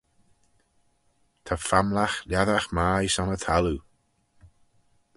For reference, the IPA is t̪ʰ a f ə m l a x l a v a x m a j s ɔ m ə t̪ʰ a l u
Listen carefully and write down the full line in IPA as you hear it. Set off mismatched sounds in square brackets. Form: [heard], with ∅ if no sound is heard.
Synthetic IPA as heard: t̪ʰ a f [a] m l a x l a [ð] a x m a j s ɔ [n] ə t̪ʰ a l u